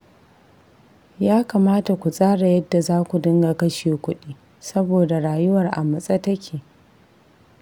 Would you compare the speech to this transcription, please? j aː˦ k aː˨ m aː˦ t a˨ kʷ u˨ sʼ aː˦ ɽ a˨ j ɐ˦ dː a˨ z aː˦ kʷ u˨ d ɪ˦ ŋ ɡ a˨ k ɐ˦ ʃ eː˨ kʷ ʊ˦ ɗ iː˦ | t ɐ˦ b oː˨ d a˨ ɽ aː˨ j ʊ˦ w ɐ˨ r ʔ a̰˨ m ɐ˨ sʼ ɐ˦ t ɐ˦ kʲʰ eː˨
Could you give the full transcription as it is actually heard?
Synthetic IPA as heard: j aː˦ k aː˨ m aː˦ t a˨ kʷ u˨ sʼ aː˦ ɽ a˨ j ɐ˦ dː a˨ z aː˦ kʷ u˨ d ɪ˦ ŋ ɡ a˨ k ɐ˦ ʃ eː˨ kʷ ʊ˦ ɗ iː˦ | s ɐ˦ b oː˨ d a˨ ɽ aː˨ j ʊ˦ w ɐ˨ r ʔ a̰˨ m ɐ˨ sʼ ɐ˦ t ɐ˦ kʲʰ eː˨